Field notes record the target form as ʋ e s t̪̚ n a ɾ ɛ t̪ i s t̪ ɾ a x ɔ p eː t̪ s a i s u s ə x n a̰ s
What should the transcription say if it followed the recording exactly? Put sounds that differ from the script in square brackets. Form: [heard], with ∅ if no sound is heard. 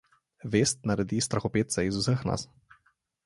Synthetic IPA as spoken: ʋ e s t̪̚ n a ɾ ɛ [d̪] i s t̪ ɾ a x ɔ p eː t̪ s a i [z] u s ə x n a̰ s